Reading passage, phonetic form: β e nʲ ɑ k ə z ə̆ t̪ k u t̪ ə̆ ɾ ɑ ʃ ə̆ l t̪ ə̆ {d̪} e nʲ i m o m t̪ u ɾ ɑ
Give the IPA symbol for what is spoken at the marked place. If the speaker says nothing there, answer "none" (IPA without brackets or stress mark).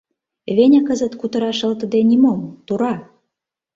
d̪